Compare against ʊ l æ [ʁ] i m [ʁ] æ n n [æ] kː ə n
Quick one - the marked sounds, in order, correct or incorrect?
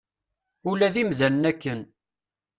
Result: incorrect: ð, incorrect: ð, correct

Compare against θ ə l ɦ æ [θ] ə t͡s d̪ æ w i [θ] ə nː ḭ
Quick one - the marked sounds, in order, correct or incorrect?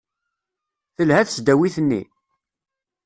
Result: correct, correct

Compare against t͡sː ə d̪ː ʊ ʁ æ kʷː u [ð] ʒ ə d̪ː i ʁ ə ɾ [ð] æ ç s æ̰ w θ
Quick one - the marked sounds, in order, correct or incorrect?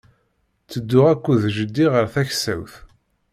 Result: correct, incorrect: θ

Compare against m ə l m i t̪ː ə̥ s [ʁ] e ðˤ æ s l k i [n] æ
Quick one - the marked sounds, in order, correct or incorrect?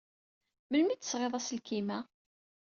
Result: correct, incorrect: m

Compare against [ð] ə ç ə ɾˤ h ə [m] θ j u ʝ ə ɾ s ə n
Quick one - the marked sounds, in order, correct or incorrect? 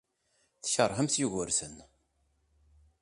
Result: incorrect: θ, correct

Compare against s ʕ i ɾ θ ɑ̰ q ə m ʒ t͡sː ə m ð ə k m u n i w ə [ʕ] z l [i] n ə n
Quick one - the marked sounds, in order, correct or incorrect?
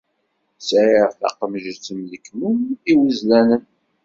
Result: incorrect: none, incorrect: æ

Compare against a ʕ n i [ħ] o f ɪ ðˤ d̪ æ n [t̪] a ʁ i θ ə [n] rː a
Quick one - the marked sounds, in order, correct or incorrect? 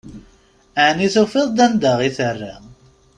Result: incorrect: θ, incorrect: d̪, incorrect: none

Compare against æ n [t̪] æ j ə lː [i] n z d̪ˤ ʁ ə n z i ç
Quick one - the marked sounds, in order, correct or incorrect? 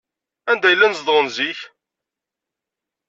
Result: incorrect: d̪, incorrect: æ

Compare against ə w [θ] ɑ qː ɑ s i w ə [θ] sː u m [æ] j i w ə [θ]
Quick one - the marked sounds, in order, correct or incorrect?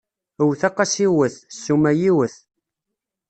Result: correct, correct, correct, correct

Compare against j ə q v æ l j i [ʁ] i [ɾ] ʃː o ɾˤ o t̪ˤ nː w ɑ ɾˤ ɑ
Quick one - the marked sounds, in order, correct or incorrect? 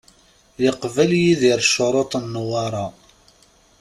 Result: incorrect: ð, correct

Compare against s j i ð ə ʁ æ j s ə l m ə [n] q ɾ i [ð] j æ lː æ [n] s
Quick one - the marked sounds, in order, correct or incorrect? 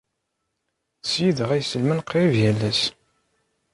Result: correct, incorrect: v, incorrect: none

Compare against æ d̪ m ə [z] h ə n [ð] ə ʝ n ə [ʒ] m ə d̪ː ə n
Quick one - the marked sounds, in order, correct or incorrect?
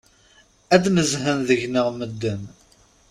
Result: correct, correct, incorrect: ʁ

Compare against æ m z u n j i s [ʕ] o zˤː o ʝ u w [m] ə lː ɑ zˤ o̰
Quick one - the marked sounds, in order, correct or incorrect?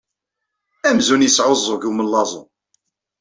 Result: correct, correct

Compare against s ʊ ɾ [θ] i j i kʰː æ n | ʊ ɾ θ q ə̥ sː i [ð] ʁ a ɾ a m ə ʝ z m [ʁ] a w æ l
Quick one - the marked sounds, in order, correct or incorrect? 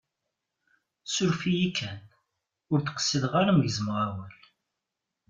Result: incorrect: f, correct, correct

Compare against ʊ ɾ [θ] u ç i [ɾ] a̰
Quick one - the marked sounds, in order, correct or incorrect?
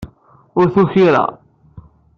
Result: correct, correct

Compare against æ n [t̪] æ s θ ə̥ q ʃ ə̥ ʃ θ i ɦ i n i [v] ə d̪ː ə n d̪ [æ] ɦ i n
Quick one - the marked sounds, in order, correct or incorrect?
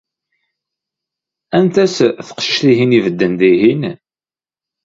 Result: correct, correct, incorrect: i

